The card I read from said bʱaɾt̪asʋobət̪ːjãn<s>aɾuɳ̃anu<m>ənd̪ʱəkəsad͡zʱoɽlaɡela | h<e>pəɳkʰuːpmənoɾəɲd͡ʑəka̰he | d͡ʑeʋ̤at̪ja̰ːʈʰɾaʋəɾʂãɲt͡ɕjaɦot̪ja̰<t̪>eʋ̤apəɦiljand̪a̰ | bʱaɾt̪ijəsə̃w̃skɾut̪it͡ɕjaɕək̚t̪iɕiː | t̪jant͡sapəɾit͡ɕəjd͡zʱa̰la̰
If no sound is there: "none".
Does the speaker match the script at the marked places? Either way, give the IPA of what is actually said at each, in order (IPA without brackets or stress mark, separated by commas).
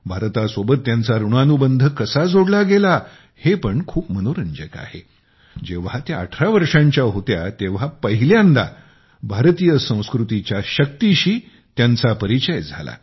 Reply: t͡s, b, e, t̪